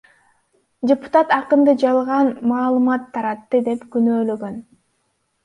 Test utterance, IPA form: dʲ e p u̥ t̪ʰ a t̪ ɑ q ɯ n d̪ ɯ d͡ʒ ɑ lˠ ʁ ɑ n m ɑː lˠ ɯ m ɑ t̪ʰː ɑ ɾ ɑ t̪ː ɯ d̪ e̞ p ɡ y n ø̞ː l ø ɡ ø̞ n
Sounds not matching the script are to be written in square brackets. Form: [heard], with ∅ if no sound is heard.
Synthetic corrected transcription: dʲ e p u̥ [t̪] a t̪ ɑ q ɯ n d̪ ɯ d͡ʒ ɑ lˠ ʁ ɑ n m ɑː lˠ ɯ m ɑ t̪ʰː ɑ ɾ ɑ t̪ː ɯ d̪ e̞ p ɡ y n ø̞ː l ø ɡ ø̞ n